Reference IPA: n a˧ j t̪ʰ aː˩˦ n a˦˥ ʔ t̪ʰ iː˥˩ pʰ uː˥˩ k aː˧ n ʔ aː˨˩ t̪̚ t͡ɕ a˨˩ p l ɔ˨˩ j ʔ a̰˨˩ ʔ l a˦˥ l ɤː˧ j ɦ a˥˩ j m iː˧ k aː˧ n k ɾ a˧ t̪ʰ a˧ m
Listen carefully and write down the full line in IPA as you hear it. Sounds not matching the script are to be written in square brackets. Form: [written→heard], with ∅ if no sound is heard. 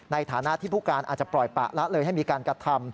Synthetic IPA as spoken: n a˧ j t̪ʰ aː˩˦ n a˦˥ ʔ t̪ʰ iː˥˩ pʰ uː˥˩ k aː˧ n ʔ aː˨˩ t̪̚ t͡ɕ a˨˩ p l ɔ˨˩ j [ʔ→p] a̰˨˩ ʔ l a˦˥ l ɤː˧ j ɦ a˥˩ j m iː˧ k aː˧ n k ɾ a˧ t̪ʰ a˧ m